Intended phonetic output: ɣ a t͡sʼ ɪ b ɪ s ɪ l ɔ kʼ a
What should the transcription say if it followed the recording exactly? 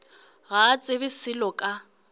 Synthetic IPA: ɣ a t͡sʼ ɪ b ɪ s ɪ l ɔ kʼ a